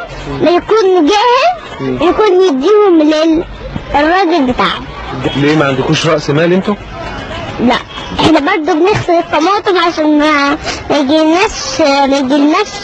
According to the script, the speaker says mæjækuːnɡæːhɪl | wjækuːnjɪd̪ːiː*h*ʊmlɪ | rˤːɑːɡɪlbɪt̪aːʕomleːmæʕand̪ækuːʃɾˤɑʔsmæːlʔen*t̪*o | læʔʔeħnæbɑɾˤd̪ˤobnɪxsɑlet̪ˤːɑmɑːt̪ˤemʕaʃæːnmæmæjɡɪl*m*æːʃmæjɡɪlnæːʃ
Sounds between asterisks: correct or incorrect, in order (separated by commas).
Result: correct, correct, incorrect